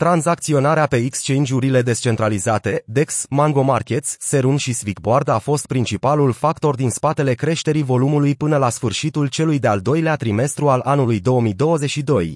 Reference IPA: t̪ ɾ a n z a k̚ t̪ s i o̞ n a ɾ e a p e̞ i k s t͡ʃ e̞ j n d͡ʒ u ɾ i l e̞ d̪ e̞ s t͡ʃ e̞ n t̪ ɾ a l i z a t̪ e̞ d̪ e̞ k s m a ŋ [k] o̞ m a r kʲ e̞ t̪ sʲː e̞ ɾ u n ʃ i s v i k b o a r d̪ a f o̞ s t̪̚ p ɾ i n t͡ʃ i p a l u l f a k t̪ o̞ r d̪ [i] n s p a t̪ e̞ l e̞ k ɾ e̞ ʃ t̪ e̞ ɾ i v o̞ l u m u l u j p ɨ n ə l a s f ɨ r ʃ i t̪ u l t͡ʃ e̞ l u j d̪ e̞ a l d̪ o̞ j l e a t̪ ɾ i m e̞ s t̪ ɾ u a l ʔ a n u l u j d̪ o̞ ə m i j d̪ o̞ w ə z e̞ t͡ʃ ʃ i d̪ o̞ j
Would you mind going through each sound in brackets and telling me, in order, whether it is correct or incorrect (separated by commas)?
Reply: incorrect, correct